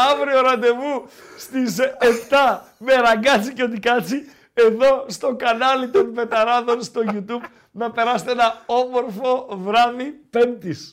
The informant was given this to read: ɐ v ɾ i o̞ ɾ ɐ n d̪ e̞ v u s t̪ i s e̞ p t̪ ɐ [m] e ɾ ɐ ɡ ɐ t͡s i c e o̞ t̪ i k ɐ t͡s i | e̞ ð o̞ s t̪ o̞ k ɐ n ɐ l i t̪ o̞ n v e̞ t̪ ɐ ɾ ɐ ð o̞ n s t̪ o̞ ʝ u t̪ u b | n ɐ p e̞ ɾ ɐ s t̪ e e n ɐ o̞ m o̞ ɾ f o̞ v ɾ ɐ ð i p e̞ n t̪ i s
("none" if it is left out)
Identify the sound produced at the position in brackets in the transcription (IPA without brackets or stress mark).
m